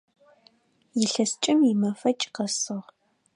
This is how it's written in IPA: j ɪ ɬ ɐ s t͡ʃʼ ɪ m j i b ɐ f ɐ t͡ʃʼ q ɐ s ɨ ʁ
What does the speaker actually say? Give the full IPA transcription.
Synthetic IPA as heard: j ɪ ɬ ɐ s t͡ʃʼ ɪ m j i m ɐ f ɐ t͡ʃʼ q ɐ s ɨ ʁ